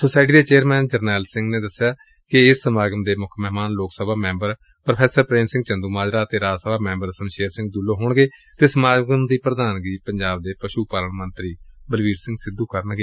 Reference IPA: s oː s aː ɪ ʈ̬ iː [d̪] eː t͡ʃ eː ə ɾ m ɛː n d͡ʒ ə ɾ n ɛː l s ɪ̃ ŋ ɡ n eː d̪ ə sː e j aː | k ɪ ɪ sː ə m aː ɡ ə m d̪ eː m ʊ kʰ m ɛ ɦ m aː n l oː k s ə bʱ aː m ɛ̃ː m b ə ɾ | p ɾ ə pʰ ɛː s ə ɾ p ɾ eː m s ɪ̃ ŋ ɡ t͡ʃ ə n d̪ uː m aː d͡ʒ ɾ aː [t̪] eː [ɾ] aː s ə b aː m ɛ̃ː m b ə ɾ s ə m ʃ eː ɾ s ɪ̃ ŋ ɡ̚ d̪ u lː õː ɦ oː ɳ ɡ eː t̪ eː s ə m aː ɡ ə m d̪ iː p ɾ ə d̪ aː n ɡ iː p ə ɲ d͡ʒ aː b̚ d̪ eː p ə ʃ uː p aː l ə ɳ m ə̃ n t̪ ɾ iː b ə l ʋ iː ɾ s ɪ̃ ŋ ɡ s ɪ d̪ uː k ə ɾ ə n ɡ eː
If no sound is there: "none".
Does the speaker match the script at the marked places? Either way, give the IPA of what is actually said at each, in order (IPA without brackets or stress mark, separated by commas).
d̪, t̪, ɾ